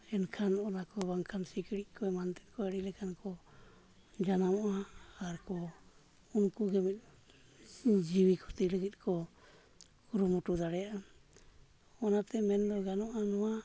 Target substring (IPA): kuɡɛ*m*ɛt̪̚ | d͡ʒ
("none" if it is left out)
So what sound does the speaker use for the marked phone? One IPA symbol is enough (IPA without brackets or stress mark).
m